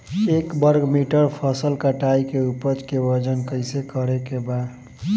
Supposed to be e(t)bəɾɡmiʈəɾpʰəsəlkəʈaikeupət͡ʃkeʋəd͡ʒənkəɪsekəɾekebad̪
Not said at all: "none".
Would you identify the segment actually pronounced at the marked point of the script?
k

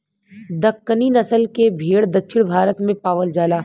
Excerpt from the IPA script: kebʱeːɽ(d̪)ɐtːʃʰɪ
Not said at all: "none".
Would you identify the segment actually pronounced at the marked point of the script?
d̪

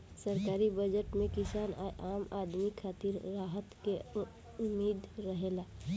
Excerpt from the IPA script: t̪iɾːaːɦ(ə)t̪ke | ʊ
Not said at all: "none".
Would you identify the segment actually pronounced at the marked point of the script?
ə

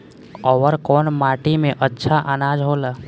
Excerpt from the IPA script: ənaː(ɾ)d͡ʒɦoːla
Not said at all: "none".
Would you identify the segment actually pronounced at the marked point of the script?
none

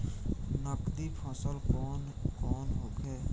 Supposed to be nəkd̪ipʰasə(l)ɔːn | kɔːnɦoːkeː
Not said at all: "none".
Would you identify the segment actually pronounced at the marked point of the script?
l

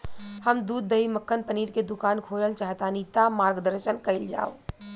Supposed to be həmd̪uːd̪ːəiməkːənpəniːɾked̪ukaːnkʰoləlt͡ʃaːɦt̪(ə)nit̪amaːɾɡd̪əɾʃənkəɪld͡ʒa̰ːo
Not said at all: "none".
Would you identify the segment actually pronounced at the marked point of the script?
a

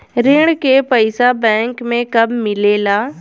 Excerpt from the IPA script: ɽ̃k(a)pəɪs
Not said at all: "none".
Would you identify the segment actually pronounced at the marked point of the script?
e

